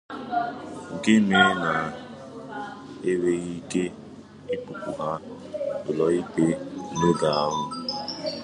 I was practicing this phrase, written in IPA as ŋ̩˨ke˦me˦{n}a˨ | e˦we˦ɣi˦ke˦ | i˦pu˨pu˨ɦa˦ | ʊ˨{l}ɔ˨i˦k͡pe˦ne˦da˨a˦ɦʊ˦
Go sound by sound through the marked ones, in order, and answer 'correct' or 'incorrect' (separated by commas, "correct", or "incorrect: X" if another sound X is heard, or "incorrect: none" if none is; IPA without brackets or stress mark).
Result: correct, correct